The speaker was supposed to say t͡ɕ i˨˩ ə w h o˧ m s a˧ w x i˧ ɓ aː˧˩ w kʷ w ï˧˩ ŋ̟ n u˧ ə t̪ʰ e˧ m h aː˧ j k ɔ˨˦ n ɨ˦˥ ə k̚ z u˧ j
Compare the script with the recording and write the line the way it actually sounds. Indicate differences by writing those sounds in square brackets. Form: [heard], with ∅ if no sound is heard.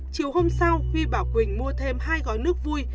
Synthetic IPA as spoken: t͡ɕ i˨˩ ə w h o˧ m s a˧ w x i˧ ɓ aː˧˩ w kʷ w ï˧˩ ŋ̟ [m] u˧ ə t̪ʰ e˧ m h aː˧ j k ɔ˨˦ n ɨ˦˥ ə k̚ [v] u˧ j